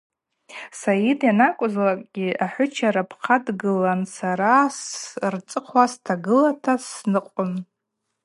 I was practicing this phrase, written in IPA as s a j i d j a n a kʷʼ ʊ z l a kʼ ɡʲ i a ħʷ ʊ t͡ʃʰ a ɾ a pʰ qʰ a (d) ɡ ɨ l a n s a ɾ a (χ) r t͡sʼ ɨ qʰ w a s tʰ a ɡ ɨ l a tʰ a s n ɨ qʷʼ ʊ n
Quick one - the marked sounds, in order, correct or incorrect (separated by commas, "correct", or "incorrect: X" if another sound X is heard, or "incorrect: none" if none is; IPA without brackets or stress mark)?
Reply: correct, incorrect: s